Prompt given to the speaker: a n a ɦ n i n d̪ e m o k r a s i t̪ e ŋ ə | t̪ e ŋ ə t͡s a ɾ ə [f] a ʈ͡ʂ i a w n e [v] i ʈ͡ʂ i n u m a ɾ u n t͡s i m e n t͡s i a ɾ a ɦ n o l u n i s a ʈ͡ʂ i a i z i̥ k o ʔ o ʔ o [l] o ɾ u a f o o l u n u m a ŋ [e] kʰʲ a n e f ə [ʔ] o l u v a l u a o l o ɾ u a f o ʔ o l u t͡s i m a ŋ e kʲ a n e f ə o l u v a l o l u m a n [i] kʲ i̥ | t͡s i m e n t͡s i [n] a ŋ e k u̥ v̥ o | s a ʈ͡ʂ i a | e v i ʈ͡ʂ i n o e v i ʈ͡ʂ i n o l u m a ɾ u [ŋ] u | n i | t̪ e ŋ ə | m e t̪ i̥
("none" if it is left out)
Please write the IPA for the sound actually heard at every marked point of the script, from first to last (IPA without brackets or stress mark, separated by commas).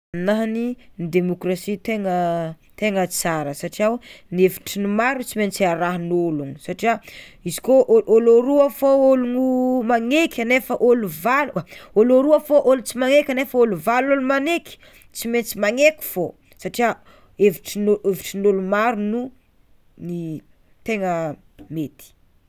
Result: s, v, l, e, ʔ, e, m, n